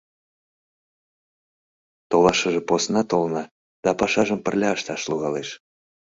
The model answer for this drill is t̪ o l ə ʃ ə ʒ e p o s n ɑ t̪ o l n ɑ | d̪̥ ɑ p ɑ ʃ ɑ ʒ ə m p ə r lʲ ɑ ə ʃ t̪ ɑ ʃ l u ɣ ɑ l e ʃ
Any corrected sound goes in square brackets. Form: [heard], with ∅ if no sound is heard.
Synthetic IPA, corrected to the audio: t̪ o l [ɑ] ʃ ə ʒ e p o s n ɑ t̪ o l n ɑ | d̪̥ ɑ p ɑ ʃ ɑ ʒ ə m p ə r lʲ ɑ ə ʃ t̪ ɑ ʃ l u ɣ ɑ l e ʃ

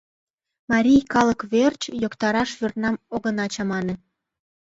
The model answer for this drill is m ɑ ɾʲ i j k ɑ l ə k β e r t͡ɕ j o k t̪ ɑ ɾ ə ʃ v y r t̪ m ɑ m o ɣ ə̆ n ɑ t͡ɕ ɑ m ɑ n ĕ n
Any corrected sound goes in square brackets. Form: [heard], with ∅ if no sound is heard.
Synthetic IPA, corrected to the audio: m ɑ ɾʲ i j k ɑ l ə k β e r t͡ɕ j o k t̪ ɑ ɾ [ɑ] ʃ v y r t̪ [n] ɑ m o ɣ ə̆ n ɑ t͡ɕ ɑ m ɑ n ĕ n

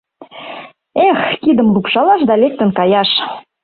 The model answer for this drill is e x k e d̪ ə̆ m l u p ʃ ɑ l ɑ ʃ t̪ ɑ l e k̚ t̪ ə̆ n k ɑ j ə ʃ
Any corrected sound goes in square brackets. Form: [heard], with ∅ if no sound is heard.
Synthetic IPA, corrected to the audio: e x k [i] d̪ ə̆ m l u p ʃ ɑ l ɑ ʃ [d̪] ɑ l e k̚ t̪ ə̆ n k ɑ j [ɑ] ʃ

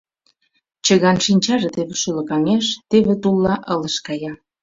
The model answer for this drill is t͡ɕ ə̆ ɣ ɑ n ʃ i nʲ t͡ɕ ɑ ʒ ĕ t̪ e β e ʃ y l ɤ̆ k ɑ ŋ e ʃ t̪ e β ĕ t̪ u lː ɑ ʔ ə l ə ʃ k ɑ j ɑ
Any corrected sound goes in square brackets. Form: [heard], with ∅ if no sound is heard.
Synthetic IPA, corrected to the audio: t͡ɕ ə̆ ɣ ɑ n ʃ i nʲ t͡ɕ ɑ ʒ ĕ t̪ e β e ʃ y l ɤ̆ k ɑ ŋ e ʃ t̪ e β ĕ t̪ u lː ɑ ʔ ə l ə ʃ k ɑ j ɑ

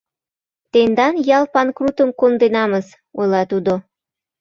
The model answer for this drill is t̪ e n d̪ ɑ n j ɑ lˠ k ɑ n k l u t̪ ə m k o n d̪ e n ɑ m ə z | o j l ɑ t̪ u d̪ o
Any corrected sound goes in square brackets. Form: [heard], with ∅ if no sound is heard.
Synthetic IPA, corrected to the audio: t̪ e n d̪ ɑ n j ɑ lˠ [p] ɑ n k [r] u t̪ ə m k o n d̪ e n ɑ m ə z | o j l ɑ t̪ u d̪ o

